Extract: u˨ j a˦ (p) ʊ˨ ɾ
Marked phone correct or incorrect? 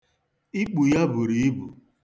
incorrect